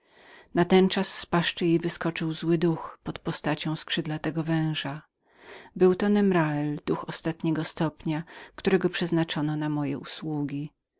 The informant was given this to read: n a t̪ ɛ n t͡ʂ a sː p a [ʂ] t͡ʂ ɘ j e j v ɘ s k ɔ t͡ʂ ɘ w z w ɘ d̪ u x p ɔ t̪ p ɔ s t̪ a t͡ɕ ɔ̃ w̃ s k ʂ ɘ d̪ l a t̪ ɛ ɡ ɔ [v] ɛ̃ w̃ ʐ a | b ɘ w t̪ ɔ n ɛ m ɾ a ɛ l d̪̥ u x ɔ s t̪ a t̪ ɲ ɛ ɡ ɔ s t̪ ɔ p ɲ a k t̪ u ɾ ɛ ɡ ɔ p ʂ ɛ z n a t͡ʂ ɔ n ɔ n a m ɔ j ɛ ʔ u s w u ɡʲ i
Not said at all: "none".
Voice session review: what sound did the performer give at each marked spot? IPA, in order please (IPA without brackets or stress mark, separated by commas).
ʂ, v